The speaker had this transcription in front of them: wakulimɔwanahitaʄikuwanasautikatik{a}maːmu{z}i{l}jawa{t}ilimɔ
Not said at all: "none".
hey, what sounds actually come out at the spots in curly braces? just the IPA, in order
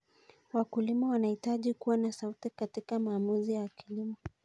a, z, none, k

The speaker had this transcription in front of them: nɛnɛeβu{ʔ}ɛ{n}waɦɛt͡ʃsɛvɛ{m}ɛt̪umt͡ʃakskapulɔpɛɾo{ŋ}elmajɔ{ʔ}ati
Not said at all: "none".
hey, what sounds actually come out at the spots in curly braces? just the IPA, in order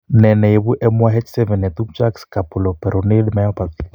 ʔ, m, n, n, p

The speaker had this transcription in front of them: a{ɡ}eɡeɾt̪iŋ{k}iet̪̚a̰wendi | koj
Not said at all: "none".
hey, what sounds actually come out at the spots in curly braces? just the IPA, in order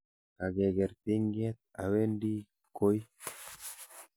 ɡ, ɡ

